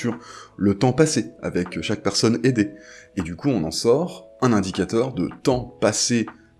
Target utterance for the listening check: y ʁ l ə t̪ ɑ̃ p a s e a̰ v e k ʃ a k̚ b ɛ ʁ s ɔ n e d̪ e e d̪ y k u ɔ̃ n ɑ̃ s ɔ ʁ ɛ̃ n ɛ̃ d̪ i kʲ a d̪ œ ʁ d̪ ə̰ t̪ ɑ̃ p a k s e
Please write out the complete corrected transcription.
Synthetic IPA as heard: y ʁ l ə t̪ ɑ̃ p a s e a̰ v ɛ k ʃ a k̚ p ɛ ʁ s ɔ n e d̪ e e d̪ y k u ɔ̃ n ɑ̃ s ɔ ʁ ɛ̃ n ɛ̃ d̪ i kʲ a t̪ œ ʁ d̪ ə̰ t̪ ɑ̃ p a s e